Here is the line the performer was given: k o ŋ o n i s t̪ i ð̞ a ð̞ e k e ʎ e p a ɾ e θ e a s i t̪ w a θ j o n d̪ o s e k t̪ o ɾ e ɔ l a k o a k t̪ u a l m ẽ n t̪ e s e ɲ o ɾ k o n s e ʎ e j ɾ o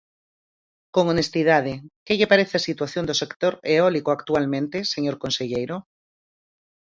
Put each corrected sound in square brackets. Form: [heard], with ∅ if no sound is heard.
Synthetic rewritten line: k o ŋ o n [e] s t̪ i ð̞ a ð̞ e k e ʎ e p a ɾ e θ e a s i t̪ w a θ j o n d̪ o s e k t̪ o ɾ e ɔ l [i] k o a k t̪ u a l m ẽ n t̪ e s e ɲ o ɾ k o n s e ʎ e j ɾ o

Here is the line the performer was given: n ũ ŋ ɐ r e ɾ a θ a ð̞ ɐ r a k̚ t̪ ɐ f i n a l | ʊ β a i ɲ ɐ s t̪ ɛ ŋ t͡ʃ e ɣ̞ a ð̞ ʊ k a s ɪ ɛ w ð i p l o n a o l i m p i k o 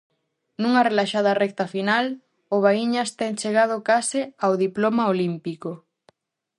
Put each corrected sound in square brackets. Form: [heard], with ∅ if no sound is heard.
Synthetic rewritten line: n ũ ŋ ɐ r e [l] a [ʃ] a ð̞ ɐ r [ɛ] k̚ t̪ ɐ f i n a l | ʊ β a i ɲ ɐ s t̪ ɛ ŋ t͡ʃ e ɣ̞ a ð̞ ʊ k a s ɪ [a] w ð i p l o [m] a o l i m p i k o

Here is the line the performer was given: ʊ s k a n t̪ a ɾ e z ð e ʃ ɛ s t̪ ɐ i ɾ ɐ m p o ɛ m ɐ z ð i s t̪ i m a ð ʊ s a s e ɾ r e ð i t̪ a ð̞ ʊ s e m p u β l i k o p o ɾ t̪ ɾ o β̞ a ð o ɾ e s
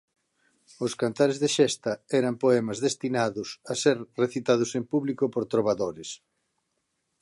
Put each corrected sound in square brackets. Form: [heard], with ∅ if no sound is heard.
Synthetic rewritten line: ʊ s k a n t̪ a ɾ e z ð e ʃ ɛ s t̪ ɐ [ɛ] ɾ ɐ m p o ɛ m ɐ z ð [e] s t̪ i [n] a ð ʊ s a s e ɾ r e [θ] i t̪ a ð̞ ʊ s e m p u β l i k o p o ɾ t̪ ɾ o β̞ a ð o ɾ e s

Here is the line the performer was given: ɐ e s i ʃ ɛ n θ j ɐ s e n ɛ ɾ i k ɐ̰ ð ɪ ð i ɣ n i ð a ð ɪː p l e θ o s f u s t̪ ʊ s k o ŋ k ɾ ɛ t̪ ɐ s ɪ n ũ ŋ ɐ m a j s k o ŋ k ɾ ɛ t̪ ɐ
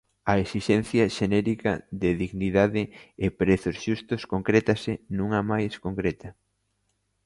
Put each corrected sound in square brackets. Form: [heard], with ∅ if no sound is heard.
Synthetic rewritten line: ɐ e s i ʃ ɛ n θ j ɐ [ʃ] e n ɛ ɾ i k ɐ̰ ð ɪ ð i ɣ n i ð a ð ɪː p [ɾ] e θ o s [ʃ] u s t̪ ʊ s k o ŋ k ɾ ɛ t̪ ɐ s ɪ n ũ ŋ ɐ m a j s k o ŋ k ɾ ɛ t̪ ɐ

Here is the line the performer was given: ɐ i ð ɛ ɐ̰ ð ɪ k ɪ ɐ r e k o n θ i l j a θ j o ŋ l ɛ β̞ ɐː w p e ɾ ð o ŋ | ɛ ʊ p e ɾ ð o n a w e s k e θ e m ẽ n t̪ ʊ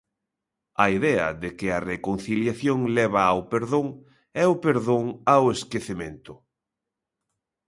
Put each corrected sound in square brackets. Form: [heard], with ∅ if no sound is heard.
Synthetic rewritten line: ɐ i ð ɛ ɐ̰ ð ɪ k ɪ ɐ r e k o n θ i l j a θ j o ŋ l ɛ β̞ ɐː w p e ɾ ð o ŋ | ɛ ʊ p e ɾ ð o [ŋ] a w e s k e θ e m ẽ n t̪ ʊ

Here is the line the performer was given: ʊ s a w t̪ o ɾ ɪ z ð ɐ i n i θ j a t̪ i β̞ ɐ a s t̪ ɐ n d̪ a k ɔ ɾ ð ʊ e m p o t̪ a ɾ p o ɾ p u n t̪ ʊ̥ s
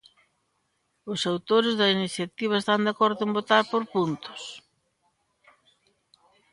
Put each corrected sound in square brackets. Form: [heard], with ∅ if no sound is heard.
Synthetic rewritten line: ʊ s a w t̪ o ɾ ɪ z ð ɐ i n i θ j a t̪ i β̞ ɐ [e] s t̪ [a] n d̪ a k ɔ ɾ ð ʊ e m [b] o t̪ a ɾ p o ɾ p u n t̪ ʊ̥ s

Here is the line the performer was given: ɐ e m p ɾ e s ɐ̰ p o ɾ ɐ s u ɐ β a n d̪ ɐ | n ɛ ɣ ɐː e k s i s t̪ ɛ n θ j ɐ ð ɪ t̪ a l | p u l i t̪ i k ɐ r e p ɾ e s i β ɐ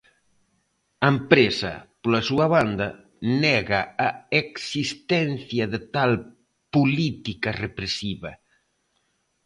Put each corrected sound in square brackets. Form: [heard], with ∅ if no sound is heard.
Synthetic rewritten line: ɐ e m p ɾ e s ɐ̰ p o [l] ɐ s u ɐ β a n d̪ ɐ | n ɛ ɣ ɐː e k s i s t̪ ɛ n θ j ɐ ð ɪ t̪ a l | p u l i t̪ i k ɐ r e p ɾ e s i β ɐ

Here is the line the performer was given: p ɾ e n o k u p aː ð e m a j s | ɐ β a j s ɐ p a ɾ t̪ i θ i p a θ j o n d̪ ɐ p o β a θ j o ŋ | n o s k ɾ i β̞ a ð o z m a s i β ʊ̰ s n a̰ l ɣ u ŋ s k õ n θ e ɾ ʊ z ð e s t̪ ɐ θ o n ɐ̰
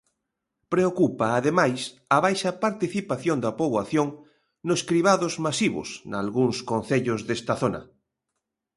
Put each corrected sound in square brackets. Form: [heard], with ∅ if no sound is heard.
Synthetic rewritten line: p ɾ e [∅] o k u p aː ð e m a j s | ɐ β a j [ʃ] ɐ p a ɾ t̪ i θ i p a θ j o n d̪ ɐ p o β a θ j o ŋ | n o s k ɾ i β̞ a ð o z m a s i β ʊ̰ s n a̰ l ɣ u ŋ s k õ n θ e [ʎ] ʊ z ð e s t̪ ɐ θ o n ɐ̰

